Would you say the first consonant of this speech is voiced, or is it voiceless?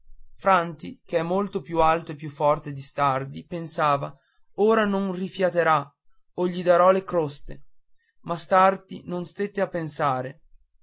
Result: voiceless